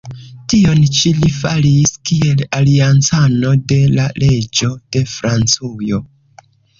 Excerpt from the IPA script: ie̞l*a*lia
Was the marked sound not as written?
no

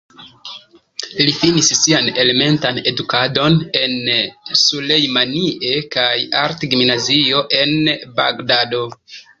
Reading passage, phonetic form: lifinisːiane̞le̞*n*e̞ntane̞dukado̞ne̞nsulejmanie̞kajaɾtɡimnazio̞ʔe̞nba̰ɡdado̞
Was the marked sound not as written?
yes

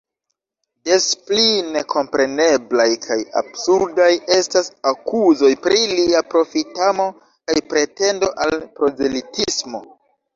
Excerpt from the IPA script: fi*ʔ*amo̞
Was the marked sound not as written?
yes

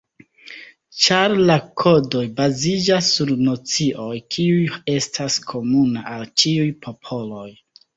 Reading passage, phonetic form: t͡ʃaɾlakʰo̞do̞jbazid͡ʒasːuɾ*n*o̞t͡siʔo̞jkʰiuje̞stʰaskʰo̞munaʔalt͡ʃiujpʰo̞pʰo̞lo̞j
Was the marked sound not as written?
no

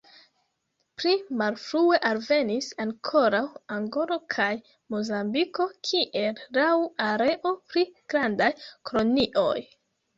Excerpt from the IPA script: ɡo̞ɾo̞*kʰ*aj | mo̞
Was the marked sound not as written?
no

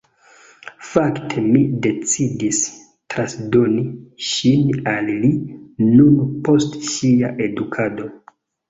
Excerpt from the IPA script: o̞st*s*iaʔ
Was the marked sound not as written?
yes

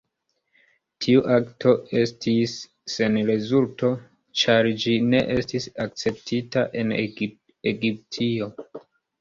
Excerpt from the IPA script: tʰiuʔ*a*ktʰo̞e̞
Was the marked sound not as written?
no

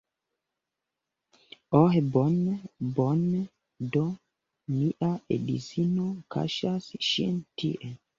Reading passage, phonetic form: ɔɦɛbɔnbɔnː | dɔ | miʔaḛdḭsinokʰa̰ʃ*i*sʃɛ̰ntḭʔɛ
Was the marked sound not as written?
yes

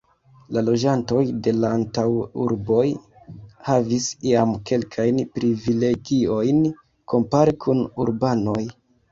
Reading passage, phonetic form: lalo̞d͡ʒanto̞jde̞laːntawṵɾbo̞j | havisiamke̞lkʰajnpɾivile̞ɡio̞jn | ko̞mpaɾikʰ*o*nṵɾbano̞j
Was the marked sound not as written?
yes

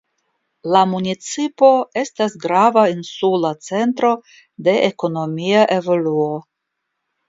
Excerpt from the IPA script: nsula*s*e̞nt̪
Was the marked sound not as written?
yes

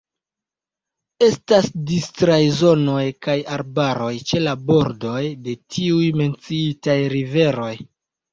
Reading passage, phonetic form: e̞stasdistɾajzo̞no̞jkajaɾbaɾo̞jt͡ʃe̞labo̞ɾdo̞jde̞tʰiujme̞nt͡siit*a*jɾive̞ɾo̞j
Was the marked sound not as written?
no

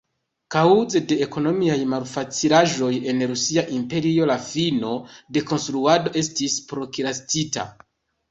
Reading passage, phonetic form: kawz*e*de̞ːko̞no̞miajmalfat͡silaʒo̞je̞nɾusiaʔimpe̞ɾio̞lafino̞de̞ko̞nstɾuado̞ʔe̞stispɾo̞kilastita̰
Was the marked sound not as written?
no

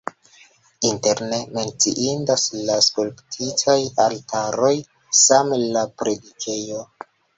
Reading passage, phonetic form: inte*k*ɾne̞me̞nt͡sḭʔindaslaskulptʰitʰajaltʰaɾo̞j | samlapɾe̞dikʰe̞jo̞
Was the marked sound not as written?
yes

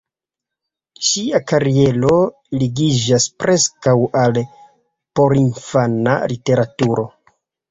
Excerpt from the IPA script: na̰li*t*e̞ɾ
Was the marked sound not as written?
no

